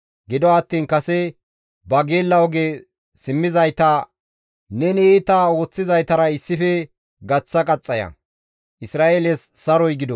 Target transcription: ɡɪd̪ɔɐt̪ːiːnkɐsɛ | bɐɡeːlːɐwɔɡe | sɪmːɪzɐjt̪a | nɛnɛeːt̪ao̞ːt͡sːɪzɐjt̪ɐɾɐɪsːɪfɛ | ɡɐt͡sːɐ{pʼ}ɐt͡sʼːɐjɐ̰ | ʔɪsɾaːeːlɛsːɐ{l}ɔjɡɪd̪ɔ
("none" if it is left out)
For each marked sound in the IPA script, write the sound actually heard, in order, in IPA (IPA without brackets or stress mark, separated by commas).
kʼ, ɾ